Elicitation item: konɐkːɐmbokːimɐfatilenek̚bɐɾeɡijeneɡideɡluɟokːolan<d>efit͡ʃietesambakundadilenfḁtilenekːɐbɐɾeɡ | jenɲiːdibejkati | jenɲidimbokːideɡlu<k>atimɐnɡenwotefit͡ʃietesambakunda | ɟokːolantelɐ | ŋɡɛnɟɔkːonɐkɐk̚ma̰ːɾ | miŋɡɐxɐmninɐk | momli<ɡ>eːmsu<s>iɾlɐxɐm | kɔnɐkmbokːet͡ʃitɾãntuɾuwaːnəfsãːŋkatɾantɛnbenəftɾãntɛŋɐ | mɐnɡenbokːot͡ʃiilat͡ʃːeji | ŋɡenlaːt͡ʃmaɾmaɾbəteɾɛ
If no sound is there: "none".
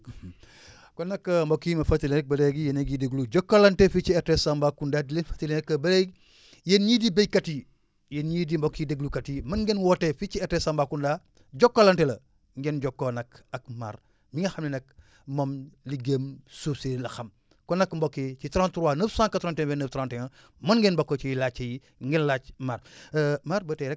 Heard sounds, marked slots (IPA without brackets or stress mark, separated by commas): t, k, ɡ, s